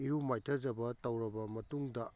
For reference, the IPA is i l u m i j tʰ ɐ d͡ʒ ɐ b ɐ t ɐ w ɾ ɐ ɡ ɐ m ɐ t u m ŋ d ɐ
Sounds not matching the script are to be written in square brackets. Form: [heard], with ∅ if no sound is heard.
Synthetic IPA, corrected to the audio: i [ɾ] u m [a] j tʰ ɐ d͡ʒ ɐ b ɐ t ɐ w ɾ ɐ [b] ɐ m ɐ t u [∅] ŋ d ɐ